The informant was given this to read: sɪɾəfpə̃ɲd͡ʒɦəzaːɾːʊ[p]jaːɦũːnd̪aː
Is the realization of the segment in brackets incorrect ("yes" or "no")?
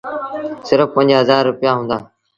no